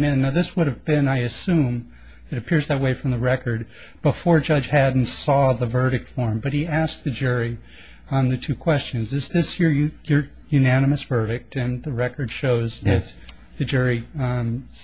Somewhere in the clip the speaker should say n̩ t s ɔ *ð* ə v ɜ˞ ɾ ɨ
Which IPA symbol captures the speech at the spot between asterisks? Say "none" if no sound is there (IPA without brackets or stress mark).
ð